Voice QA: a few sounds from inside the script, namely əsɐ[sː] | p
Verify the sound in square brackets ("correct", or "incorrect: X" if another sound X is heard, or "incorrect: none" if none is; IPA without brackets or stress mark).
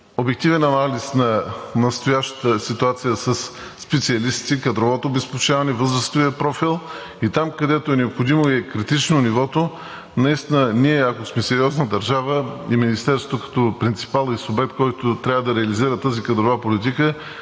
correct